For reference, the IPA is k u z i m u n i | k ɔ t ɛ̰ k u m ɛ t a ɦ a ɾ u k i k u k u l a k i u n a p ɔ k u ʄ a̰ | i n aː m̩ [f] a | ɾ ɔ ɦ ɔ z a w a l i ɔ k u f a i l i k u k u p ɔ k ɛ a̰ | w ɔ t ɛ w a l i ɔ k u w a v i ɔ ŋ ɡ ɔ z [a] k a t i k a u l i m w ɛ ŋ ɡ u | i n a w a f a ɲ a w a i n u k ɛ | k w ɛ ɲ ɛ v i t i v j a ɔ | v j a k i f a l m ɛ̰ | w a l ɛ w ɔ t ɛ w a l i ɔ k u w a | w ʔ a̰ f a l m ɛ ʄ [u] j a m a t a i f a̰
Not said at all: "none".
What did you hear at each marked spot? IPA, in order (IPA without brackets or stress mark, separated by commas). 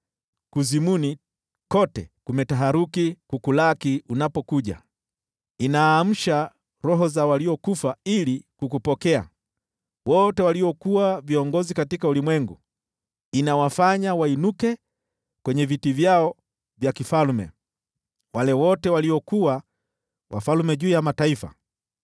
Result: ʃ, i, uː